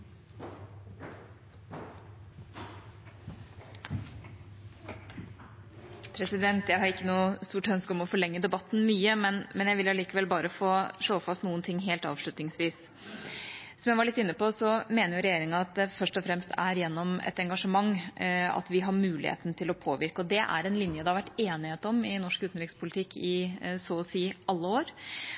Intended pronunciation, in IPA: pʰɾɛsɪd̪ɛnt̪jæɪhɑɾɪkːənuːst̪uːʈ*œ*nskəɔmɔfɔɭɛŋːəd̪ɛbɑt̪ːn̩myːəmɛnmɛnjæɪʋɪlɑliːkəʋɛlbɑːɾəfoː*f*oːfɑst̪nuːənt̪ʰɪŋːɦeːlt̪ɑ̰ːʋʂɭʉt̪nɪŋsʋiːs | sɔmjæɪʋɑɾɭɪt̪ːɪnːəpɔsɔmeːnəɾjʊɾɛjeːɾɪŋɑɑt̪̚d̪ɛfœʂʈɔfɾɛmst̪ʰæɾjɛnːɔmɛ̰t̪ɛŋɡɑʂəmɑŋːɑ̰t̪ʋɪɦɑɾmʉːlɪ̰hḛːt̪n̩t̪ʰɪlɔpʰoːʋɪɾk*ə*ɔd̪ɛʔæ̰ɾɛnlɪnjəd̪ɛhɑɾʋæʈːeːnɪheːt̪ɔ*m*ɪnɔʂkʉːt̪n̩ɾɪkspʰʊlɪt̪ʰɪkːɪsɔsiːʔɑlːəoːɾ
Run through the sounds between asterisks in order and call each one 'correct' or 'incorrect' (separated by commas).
correct, incorrect, correct, correct